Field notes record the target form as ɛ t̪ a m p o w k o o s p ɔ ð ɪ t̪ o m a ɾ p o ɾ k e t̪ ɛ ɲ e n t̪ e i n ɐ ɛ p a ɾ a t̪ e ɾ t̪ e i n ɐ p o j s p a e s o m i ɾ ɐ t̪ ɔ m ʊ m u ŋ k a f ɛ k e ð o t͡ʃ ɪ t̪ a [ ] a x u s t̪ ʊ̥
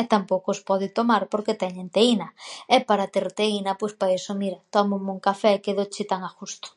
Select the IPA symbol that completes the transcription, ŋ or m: ŋ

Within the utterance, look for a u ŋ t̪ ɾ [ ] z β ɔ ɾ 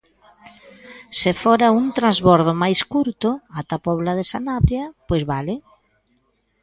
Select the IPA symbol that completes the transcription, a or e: a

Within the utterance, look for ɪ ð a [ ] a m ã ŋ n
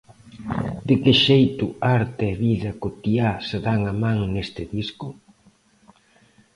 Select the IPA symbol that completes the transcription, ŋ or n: ŋ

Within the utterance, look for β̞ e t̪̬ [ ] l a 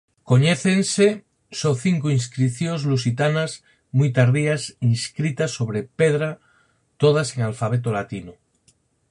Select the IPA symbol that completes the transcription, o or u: o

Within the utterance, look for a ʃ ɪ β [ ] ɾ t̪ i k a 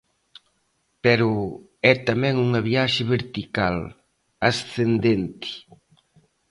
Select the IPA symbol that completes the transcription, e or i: e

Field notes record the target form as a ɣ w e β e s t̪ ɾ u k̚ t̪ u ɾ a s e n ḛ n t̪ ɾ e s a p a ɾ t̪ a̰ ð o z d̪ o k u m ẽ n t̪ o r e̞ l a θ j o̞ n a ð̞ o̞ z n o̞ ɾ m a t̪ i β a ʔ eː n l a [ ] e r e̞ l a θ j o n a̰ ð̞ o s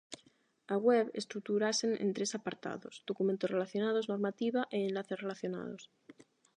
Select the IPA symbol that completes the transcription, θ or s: θ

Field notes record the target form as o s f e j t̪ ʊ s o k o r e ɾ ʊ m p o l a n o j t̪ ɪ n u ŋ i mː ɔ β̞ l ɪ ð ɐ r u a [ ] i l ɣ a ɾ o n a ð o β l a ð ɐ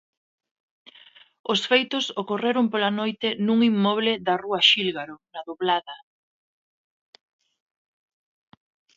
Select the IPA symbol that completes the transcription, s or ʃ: ʃ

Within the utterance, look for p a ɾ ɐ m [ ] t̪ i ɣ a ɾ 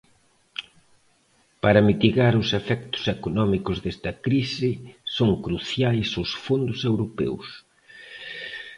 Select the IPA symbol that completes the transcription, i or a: i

